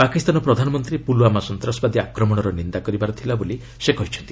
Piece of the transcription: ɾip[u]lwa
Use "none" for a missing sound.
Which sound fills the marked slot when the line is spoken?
u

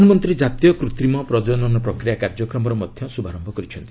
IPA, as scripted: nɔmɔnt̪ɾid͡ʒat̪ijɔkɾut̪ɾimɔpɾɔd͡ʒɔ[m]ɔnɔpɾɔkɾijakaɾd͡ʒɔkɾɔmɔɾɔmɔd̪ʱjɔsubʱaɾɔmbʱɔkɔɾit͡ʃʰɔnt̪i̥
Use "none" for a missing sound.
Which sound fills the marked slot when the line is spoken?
n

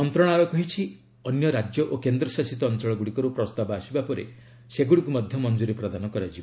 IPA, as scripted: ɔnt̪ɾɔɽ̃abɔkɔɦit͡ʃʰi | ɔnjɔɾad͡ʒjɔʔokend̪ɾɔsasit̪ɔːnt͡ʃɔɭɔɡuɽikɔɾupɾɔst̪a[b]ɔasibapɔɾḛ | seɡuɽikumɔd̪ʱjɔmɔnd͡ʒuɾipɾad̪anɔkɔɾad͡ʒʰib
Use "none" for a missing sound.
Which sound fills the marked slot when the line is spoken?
b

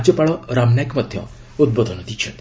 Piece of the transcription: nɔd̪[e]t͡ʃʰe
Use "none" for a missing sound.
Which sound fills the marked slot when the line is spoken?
i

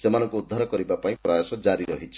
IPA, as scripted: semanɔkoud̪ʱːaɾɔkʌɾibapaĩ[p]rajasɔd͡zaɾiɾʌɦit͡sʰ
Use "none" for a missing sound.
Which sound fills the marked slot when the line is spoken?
p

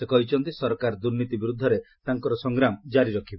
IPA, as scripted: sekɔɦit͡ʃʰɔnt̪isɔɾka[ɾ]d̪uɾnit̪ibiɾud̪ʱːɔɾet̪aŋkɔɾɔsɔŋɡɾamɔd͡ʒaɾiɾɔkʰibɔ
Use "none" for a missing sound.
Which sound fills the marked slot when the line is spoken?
ɾ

